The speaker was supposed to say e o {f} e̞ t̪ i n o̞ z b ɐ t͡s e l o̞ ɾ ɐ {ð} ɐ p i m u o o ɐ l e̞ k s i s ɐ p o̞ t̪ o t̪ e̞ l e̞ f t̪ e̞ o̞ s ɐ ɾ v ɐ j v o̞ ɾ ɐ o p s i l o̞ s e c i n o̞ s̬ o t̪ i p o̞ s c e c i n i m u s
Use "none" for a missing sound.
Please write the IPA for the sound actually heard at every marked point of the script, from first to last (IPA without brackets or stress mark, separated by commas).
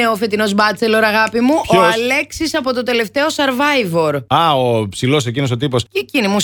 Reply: f, ɣ